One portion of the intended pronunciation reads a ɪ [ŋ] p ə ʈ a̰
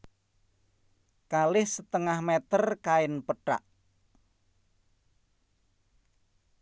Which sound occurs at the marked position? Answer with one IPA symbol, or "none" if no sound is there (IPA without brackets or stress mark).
n